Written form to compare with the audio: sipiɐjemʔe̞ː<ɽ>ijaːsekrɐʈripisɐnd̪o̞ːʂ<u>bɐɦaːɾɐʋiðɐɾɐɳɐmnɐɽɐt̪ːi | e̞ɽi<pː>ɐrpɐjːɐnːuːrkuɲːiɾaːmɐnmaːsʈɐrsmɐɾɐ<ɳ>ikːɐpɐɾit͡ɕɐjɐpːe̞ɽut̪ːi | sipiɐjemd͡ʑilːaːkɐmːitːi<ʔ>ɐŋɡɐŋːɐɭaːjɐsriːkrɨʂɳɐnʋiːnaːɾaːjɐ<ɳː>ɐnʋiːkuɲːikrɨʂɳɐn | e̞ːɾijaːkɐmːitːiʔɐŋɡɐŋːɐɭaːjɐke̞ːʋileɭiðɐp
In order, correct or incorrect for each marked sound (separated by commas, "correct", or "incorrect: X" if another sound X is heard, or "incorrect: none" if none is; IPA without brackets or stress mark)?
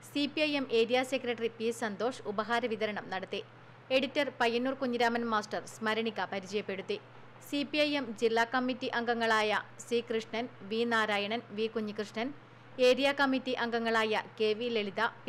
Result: incorrect: ɾ, correct, incorrect: tː, correct, correct, incorrect: ɳ